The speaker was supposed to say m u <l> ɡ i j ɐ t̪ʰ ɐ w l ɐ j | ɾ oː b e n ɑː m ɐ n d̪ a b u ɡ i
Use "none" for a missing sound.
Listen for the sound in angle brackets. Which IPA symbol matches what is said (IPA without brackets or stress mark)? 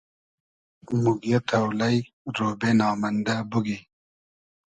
none